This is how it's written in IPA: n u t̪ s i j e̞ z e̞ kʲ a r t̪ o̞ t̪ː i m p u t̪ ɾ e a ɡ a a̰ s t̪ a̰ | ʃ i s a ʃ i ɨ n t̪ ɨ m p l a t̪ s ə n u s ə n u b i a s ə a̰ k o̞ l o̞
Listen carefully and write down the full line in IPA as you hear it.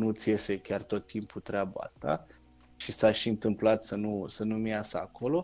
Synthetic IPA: n u t̪ s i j e̞ s e̞ kʲ a r t̪ o̞ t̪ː i m p u t̪ ɾ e a b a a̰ s t̪ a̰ | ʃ i s a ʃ i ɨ n t̪ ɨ m p l a t̪ s ə n u s ə n u m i a s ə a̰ k o̞ l o̞